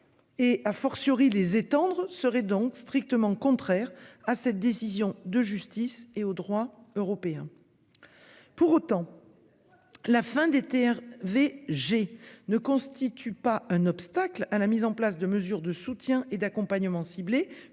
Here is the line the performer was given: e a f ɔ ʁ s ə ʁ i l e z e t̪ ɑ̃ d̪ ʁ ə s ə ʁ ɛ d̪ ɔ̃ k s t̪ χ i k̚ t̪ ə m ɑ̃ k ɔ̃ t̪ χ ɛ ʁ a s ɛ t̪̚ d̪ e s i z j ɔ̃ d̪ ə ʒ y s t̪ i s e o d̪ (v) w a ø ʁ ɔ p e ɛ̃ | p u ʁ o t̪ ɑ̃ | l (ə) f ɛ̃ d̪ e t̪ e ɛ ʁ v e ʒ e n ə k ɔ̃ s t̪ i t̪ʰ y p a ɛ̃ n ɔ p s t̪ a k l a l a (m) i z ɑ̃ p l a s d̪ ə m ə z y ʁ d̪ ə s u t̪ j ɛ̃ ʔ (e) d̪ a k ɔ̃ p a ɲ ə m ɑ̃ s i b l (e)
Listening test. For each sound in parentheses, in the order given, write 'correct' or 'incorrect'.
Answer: incorrect: ʁ, incorrect: a, correct, correct, correct

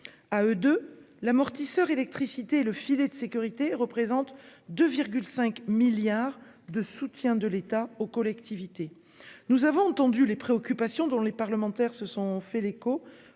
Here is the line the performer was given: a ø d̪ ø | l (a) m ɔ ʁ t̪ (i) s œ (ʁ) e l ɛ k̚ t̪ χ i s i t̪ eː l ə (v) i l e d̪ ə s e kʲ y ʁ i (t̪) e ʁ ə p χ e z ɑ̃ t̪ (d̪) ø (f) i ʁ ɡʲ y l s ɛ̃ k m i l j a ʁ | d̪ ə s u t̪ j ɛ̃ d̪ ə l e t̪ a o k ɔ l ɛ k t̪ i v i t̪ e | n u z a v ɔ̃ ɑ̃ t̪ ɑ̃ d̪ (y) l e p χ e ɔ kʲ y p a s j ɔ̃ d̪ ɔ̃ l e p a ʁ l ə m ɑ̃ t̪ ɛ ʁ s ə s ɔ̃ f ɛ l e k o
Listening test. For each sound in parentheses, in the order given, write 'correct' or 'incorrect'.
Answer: correct, correct, correct, incorrect: f, correct, correct, incorrect: v, correct

